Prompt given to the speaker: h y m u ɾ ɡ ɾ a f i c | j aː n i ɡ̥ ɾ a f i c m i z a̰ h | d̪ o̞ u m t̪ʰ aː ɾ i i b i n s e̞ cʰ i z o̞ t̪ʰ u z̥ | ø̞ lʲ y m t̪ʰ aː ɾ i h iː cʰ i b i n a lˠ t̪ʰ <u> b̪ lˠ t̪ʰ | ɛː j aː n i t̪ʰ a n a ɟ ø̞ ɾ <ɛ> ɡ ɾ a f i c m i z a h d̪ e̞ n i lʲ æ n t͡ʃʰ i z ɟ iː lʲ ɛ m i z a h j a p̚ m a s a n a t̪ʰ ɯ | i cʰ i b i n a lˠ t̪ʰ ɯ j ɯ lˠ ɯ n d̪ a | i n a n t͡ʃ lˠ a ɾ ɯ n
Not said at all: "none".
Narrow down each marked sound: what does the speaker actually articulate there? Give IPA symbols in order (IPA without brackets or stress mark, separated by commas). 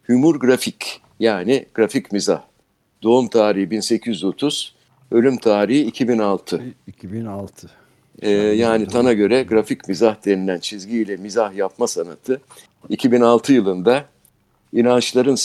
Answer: ɯ, ɛ